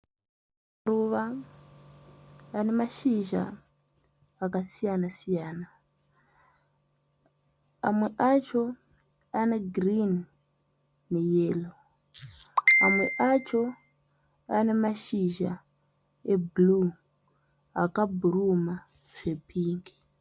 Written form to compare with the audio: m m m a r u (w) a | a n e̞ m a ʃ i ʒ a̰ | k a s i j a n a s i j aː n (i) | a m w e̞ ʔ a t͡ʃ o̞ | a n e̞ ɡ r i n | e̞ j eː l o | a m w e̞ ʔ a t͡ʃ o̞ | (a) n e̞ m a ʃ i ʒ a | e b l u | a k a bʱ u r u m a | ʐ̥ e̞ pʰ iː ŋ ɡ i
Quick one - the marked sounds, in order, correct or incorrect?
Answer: incorrect: ʋ, incorrect: a, correct

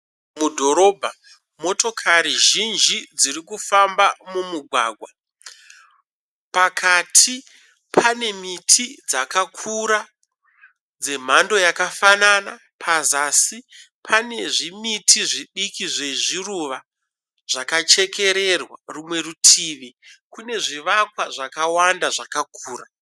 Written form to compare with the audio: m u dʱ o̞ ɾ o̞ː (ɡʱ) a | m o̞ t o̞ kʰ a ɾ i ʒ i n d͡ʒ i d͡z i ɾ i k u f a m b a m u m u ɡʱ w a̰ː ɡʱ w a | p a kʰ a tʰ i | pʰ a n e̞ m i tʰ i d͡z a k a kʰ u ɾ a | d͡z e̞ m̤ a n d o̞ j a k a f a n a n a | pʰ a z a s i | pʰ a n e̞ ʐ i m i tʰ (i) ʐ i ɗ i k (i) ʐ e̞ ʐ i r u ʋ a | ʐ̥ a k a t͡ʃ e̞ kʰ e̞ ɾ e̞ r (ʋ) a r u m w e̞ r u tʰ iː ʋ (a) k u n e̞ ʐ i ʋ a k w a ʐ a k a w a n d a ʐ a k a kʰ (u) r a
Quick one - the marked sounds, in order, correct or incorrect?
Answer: incorrect: bʱ, correct, correct, incorrect: w, incorrect: i, incorrect: uː

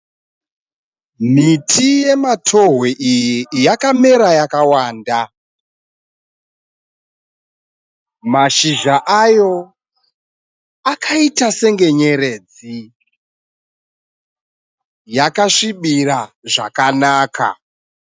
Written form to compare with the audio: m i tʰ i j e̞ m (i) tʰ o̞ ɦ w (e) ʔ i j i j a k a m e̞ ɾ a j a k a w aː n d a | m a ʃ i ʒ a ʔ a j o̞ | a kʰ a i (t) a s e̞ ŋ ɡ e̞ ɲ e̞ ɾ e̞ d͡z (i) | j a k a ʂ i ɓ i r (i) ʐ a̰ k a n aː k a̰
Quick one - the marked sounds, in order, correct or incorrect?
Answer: incorrect: a, correct, correct, correct, incorrect: a

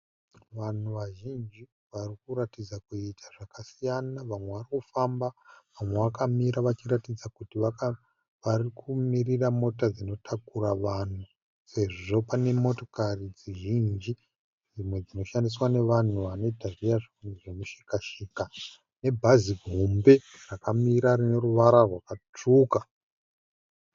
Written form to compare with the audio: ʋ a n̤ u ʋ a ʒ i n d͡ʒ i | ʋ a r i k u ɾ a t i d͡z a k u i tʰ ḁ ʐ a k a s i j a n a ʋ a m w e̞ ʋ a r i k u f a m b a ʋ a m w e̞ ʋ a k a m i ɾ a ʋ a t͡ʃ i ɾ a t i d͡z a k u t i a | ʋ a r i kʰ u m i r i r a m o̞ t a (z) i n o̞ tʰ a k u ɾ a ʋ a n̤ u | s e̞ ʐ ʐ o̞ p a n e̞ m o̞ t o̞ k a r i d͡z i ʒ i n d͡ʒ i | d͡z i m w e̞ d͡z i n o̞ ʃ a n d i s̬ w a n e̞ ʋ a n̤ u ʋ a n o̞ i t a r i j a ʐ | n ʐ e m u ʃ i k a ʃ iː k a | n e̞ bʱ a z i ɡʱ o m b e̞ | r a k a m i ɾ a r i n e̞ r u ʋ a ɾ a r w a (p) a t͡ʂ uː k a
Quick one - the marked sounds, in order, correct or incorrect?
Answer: incorrect: d͡z, incorrect: k

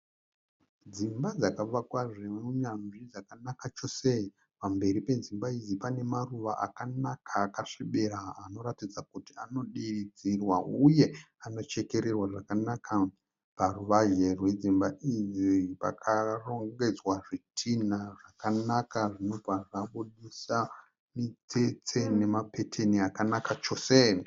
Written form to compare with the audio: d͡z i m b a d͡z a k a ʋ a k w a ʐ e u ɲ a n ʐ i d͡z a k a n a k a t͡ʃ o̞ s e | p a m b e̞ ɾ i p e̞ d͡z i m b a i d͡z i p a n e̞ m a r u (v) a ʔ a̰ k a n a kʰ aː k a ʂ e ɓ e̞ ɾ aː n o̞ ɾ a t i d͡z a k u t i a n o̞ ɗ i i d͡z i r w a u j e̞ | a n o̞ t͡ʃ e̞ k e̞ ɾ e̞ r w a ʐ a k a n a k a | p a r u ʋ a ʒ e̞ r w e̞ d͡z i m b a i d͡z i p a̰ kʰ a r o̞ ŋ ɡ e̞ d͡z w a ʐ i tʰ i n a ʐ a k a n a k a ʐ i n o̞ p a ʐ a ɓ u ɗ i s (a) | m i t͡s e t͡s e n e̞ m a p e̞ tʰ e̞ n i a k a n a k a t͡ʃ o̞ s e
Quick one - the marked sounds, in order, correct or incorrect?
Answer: incorrect: ʋ, correct

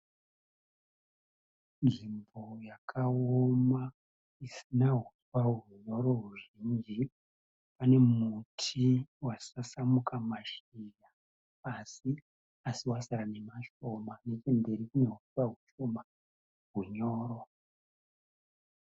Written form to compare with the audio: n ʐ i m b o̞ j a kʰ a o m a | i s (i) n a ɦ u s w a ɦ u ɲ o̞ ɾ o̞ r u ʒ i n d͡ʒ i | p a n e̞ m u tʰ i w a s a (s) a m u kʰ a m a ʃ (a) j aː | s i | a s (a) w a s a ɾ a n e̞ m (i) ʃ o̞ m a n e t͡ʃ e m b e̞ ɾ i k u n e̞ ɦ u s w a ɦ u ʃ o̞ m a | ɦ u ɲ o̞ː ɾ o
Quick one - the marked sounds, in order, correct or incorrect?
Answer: correct, correct, incorrect: i, incorrect: i, incorrect: a

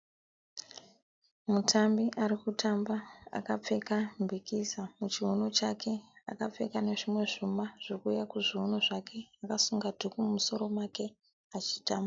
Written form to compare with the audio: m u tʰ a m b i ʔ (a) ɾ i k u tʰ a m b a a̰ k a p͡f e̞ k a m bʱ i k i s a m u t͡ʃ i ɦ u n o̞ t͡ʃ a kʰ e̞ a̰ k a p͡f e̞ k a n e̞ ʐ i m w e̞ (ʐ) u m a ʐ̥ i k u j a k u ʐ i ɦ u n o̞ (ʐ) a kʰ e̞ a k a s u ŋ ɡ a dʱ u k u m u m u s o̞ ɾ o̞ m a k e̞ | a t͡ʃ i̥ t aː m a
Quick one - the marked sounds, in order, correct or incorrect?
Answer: correct, correct, correct

